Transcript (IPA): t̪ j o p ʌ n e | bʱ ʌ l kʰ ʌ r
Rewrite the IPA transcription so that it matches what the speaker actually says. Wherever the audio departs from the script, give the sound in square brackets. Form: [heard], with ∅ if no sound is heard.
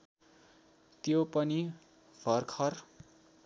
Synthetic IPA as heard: t̪ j o p ʌ n [i] | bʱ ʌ [r] kʰ ʌ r